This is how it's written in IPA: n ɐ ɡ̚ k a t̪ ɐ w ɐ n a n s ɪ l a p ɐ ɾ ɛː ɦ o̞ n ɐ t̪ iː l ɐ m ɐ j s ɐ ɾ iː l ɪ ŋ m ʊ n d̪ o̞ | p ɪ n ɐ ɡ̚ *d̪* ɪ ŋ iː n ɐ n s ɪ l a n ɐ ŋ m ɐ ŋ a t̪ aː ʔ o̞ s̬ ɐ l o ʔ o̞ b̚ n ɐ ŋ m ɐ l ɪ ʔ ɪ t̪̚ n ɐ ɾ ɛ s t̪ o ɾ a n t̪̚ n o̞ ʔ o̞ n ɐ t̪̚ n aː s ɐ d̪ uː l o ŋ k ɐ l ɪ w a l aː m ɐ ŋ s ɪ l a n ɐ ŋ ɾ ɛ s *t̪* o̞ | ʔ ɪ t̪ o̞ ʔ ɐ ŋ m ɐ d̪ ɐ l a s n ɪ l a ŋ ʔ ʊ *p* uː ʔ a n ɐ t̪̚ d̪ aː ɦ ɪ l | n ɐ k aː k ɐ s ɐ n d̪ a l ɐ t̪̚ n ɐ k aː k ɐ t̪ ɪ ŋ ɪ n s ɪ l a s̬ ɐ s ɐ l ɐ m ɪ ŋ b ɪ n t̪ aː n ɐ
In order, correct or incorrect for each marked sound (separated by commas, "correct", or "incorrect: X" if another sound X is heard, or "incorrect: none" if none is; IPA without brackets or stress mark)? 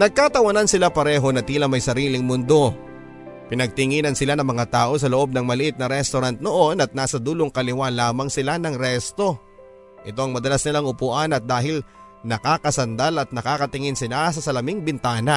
incorrect: t̪, correct, correct